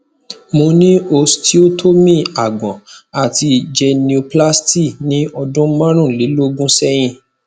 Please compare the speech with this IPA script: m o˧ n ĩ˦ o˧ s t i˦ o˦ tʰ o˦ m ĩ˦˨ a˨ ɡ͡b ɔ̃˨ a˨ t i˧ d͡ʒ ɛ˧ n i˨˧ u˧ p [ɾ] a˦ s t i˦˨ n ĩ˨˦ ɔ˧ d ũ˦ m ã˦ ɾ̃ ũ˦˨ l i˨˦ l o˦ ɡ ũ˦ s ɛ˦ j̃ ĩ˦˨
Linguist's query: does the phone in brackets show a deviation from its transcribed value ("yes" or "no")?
yes